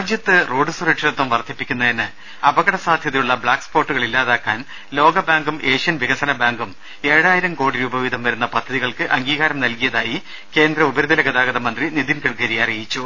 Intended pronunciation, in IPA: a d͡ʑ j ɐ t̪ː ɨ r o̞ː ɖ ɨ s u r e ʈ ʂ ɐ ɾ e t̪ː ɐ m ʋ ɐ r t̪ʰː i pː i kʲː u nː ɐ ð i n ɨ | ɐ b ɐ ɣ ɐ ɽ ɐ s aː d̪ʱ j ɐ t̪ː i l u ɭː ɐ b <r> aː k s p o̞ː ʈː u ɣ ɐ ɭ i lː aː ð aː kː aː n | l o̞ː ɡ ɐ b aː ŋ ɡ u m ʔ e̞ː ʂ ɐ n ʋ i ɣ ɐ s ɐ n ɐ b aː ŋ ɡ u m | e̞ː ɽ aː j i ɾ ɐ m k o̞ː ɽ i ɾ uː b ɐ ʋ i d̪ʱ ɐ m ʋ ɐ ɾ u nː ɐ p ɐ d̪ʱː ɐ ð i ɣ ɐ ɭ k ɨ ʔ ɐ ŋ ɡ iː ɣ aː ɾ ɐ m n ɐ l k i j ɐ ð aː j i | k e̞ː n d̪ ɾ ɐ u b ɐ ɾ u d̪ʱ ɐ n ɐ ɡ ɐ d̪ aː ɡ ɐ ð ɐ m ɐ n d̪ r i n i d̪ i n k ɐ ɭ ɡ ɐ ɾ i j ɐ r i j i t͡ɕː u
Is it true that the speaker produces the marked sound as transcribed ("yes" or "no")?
no